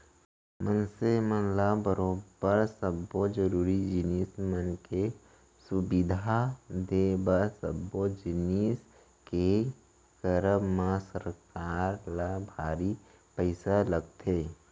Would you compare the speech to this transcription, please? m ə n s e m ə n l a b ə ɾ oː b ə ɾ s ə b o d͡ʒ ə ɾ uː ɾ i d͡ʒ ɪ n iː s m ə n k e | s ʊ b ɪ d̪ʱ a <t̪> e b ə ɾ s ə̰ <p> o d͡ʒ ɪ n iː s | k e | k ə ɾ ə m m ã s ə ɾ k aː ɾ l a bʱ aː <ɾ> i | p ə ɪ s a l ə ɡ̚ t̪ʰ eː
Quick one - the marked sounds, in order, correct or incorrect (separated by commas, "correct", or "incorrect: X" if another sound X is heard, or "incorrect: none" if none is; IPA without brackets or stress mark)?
incorrect: d̪, incorrect: b, correct